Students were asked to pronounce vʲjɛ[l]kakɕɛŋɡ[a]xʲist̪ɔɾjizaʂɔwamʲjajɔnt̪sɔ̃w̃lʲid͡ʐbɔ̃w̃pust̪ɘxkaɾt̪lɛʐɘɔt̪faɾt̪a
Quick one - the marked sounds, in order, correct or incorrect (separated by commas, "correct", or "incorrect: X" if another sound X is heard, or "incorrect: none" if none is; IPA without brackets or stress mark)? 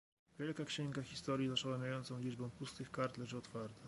correct, correct